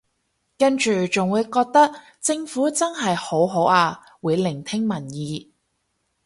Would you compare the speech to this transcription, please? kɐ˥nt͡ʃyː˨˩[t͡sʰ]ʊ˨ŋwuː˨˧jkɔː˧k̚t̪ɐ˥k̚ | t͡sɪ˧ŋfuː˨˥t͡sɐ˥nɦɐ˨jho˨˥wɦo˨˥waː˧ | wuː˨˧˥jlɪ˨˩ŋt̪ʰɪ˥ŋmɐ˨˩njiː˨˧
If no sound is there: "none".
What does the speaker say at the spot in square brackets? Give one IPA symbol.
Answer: t͡s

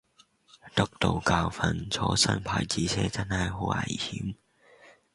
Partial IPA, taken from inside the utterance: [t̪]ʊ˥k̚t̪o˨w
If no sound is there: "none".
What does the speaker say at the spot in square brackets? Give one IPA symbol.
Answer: t̪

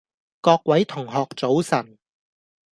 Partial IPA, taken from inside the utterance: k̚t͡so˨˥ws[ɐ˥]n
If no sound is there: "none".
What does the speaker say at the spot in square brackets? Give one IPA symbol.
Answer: ɐ˨˩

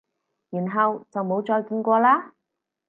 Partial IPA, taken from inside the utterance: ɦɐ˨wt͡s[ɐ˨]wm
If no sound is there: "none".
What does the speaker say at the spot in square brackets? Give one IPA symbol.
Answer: ɐ˨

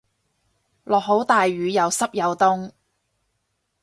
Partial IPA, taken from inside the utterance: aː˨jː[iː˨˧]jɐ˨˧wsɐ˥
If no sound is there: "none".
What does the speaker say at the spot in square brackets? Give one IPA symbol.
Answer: yː˨˧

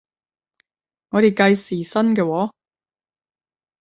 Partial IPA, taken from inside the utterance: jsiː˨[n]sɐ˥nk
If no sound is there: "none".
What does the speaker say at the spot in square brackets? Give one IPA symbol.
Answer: none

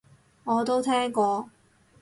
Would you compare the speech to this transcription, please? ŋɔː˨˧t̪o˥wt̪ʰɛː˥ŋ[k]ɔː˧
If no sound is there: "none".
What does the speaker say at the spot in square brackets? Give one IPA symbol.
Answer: k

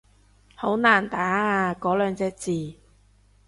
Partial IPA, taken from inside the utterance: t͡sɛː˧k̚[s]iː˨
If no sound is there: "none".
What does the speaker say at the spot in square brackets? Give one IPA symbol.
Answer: t͡s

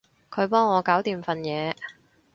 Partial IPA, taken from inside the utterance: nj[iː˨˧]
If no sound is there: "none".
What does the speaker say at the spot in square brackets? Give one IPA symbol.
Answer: ɛː˨˧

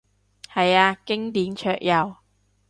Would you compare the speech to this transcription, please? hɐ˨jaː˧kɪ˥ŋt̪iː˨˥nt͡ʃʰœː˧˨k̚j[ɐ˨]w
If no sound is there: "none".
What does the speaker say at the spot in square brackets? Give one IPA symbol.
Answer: ɐ˨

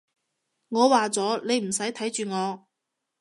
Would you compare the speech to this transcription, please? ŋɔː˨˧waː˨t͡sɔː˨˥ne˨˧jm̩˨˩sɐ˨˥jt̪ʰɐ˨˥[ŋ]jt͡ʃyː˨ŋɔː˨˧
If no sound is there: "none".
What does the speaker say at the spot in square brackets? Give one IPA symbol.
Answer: none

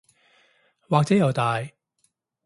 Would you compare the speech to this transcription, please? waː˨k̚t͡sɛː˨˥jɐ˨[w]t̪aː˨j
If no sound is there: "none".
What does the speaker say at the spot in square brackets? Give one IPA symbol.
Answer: w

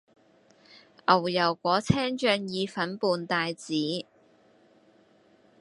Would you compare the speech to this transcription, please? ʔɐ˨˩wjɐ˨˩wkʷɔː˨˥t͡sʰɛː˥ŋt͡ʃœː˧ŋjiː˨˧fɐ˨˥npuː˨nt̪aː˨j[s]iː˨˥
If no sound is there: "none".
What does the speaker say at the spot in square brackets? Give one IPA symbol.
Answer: t͡s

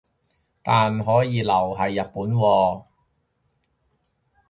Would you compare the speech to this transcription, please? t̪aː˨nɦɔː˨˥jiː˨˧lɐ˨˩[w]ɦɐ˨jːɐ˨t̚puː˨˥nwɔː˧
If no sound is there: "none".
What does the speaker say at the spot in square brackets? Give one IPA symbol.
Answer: w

